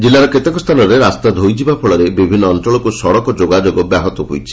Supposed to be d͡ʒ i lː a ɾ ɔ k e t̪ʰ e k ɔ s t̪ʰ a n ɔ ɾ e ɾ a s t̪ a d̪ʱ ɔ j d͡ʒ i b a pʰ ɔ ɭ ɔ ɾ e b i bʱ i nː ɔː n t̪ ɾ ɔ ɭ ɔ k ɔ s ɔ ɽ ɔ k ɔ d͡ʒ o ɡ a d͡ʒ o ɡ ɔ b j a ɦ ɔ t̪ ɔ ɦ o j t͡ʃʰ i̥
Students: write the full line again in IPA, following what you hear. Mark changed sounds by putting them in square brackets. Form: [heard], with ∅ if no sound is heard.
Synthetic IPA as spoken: d͡ʒ i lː a ɾ ɔ k e [t̪] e k ɔ s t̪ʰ a n ɔ ɾ e ɾ a s t̪ a d̪ʱ [o] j d͡ʒ i b a pʰ ɔ ɭ ɔ ɾ e b i bʱ i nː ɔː n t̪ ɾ ɔ ɭ ɔ k [u] s ɔ ɽ ɔ k ɔ d͡ʒ o ɡ a d͡ʒ o ɡ ɔ b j a ɦ ɔ t̪ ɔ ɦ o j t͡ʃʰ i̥